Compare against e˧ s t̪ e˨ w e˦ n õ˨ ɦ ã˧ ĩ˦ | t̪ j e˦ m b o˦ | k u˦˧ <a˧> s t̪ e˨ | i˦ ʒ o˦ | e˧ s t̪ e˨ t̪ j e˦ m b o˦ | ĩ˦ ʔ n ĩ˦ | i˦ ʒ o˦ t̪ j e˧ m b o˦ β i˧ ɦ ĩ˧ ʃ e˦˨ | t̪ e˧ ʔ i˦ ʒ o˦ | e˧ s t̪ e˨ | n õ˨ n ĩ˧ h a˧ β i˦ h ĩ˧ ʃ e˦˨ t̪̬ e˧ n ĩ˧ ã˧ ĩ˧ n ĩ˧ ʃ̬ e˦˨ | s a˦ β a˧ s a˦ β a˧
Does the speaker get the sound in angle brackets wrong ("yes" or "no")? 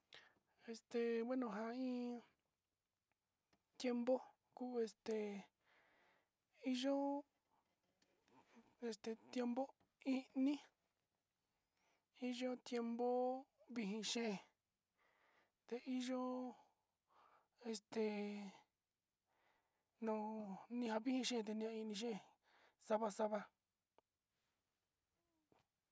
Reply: yes